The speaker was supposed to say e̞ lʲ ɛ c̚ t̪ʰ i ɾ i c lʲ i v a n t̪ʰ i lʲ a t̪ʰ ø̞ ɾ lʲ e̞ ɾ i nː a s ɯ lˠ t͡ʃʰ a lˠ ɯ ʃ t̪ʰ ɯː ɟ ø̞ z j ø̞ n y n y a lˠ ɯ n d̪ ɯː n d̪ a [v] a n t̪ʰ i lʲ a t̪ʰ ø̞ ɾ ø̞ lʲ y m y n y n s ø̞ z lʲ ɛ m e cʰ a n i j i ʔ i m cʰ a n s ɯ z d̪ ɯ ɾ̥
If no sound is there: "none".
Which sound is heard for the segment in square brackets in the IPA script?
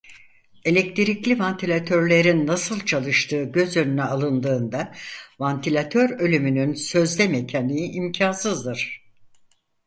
v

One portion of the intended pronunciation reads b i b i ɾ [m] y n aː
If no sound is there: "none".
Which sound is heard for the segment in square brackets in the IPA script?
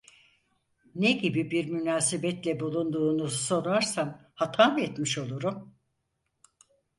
m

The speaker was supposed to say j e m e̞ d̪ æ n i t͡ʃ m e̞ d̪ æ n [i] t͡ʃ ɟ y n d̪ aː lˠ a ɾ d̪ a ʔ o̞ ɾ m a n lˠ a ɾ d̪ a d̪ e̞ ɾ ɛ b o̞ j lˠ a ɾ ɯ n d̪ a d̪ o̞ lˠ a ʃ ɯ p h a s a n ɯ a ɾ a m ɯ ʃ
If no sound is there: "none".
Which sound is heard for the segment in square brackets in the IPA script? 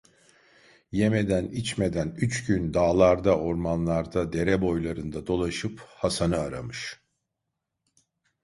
y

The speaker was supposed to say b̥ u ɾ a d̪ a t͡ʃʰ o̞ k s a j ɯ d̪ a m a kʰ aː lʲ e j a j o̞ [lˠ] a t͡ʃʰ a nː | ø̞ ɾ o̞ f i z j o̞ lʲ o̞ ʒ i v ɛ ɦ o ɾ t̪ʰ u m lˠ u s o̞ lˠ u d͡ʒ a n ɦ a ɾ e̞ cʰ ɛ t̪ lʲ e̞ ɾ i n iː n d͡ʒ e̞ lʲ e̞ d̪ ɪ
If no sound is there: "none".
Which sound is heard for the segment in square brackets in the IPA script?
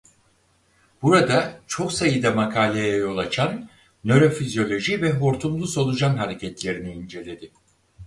lˠ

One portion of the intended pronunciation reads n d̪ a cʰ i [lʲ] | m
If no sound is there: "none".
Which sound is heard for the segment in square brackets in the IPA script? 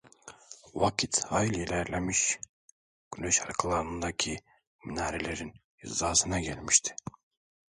none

